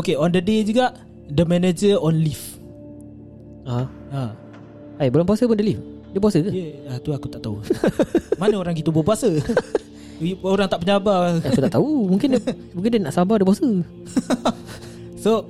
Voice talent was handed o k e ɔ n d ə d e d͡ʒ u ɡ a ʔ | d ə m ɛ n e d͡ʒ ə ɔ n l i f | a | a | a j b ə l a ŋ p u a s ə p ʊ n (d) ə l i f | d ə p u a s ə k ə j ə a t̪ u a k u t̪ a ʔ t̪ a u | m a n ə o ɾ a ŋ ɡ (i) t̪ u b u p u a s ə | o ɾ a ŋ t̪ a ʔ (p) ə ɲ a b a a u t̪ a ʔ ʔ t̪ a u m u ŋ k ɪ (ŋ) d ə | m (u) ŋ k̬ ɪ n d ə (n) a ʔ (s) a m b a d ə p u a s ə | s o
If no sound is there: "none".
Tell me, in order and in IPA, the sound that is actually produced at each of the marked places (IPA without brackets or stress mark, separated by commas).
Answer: d, i, p, n, u, n, s